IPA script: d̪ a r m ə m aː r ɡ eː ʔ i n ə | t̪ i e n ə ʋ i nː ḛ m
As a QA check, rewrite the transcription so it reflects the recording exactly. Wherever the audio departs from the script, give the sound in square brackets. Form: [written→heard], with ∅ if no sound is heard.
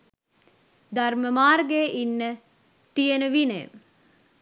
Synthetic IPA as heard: d̪ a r m ə m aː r ɡ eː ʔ i [n→nː] ə | t̪ i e n ə ʋ i [nː→n] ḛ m